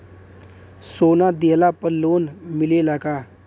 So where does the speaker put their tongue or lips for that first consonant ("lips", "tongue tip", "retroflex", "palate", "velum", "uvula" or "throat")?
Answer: tongue tip